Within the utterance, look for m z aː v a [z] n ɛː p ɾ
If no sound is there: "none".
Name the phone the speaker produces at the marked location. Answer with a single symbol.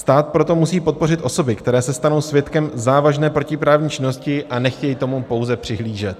ʒ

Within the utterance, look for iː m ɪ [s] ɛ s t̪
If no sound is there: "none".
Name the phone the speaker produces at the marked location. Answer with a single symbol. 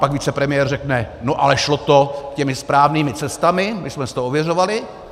t͡s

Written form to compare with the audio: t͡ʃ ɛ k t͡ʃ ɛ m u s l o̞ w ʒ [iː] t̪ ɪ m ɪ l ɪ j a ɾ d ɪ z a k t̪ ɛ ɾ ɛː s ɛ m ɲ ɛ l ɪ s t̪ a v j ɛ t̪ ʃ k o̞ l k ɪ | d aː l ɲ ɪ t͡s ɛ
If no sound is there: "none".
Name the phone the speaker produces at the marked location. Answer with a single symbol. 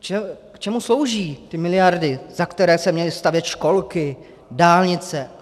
iː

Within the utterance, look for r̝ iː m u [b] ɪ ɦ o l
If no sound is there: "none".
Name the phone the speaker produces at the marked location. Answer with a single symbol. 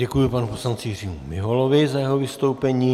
m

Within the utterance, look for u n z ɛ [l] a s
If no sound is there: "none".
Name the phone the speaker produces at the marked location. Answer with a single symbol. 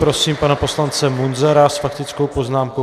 ɾ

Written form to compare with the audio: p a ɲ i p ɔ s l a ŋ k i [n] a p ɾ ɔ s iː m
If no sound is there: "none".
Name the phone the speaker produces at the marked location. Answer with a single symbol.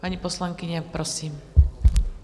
ɲ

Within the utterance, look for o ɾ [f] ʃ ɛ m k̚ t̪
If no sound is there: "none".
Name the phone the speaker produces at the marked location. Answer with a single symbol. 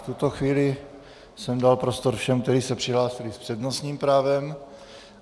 f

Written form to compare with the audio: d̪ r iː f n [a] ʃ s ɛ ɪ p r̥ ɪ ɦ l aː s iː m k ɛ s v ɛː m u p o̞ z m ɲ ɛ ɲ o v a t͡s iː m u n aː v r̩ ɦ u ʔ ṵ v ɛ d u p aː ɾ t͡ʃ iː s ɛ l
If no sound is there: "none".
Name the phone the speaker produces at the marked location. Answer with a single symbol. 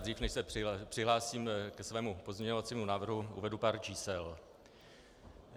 ɛ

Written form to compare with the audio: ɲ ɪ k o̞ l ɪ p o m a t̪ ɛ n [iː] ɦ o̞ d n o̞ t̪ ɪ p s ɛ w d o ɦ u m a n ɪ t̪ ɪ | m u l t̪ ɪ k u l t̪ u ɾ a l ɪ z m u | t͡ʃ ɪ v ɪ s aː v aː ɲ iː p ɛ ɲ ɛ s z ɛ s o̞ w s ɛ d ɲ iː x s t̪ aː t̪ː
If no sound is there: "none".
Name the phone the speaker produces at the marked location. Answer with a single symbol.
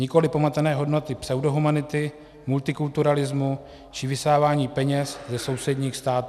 ɛː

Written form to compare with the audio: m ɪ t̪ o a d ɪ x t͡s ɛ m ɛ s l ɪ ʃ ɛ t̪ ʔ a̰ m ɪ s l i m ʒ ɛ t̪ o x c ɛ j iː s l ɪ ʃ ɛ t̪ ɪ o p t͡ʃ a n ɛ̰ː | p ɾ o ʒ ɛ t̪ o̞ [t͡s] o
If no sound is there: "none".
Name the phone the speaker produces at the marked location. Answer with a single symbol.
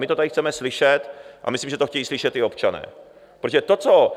t͡s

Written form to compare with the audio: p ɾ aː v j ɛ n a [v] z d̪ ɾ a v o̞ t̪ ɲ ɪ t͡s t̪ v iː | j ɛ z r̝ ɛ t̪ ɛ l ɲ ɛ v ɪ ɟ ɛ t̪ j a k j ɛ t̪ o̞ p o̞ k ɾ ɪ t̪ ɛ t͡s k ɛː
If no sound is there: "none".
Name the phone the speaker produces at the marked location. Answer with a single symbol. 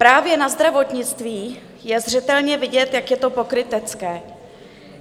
none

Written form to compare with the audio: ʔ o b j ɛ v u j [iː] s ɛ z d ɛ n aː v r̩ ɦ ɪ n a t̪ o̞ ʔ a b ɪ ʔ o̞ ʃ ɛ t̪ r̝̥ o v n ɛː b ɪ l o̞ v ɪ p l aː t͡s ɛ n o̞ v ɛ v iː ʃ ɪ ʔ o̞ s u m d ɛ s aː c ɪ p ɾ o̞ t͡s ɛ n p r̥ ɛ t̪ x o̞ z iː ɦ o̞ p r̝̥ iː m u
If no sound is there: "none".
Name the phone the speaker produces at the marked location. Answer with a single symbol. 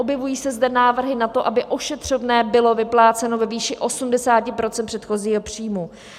iː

